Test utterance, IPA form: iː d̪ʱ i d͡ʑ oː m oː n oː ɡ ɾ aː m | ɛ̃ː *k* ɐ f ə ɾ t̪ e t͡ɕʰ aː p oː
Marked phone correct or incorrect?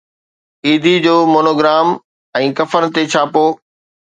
correct